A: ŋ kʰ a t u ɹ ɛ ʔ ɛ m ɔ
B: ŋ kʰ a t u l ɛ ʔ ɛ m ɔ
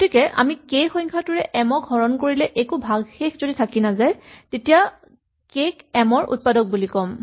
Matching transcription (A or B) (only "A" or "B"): A